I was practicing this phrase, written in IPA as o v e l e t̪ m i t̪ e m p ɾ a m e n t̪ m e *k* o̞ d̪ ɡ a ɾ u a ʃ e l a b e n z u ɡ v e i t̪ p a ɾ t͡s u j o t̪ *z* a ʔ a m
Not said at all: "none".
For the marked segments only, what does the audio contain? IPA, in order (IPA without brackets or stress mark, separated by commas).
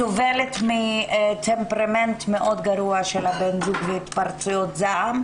ʔ, z